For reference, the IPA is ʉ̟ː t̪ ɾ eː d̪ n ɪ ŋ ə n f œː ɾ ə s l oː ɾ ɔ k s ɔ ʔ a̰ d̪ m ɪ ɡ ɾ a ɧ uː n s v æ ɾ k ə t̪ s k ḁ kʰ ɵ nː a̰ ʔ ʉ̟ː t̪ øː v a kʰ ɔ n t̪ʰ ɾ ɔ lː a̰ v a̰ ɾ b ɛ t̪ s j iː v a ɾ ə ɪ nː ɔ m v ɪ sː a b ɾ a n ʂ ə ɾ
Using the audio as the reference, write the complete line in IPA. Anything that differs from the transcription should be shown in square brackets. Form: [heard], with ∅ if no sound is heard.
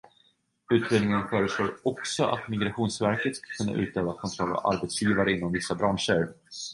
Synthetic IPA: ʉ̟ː t̪ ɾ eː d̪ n ɪ ŋ ə n f œː ɾ ə s l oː ɾ ɔ k s ɔ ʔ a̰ [t̪] m ɪ ɡ ɾ a ɧ uː n s v æ ɾ k ə t̪ s k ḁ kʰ ɵ nː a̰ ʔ ʉ̟ː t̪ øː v a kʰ ɔ n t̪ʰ ɾ ɔ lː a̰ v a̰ ɾ b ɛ t̪ s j iː v a ɾ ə ɪ nː ɔ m v ɪ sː a b ɾ a n ʂ ə ɾ